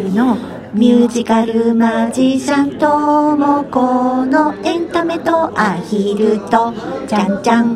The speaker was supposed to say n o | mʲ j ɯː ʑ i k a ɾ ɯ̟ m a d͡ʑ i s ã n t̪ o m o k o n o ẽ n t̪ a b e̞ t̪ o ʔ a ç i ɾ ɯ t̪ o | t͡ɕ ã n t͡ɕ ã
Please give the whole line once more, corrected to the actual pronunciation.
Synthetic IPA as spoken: n o | mʲ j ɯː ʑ i k a ɾ ɯ̟ m a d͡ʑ i s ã n t̪ o m o k o n o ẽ n t̪ a m e̞ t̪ o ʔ a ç i ɾ ɯ t̪ o | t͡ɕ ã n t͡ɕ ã